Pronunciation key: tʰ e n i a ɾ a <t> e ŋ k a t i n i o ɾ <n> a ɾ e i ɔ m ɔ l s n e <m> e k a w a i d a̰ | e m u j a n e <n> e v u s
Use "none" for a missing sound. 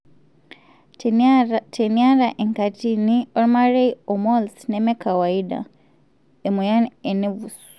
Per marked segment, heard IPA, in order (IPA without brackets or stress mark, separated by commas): ʔ, m, m, n